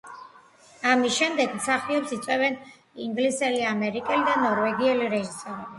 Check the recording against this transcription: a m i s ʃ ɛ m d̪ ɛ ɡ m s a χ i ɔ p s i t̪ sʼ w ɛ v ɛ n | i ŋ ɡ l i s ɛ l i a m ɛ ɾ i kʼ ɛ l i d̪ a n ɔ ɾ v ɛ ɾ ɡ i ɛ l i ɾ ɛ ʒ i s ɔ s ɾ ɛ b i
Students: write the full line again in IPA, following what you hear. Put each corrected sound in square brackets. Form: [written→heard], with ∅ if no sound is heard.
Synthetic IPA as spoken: a m i s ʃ ɛ m d̪ ɛ ɡ m s a χ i ɔ p s i t̪ sʼ w ɛ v ɛ n | i ŋ ɡ l i s ɛ l i a m ɛ ɾ i kʼ ɛ l i d̪ a n ɔ ɾ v ɛ [ɾ→∅] ɡ i ɛ l i ɾ ɛ ʒ i s ɔ [s→∅] ɾ ɛ b i